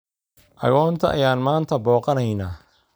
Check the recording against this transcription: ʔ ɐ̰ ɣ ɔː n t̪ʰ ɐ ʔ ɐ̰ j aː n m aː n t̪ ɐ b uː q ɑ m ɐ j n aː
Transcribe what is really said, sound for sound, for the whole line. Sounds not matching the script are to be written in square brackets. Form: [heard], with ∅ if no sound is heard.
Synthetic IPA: ʔ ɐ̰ ɣ ɔː n t̪ʰ ɐ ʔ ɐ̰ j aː n m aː n [t̪ʰ] ɐ b [ɔː] q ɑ [n] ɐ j n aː